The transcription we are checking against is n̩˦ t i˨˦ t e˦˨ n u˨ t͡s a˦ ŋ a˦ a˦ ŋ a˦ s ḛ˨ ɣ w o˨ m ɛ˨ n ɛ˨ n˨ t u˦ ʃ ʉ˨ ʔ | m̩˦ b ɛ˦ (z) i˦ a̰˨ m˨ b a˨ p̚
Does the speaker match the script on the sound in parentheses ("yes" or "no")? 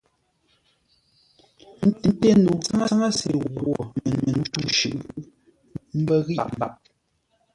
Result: no